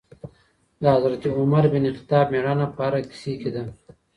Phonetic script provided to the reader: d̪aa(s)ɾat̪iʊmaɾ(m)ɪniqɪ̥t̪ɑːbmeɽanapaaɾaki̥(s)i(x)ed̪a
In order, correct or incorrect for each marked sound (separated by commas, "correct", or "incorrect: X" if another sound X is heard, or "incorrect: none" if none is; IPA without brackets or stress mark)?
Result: incorrect: z, incorrect: b, correct, incorrect: k